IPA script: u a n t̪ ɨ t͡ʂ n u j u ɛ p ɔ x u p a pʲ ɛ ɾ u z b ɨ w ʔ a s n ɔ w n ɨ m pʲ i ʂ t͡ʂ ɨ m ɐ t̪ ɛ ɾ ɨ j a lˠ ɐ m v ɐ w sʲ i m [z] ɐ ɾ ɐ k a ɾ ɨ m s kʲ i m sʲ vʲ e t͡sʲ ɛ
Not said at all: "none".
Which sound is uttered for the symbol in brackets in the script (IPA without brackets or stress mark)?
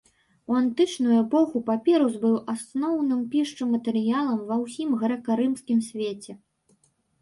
ɣ